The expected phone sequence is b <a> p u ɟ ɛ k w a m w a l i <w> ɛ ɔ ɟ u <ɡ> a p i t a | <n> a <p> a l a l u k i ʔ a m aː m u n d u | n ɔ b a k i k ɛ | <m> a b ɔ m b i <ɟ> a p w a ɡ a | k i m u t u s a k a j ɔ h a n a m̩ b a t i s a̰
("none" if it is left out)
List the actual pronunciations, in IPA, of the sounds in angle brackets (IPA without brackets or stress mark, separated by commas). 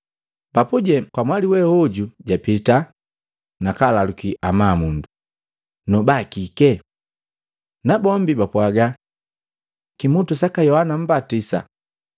a, w, ɟ, n, k, n, b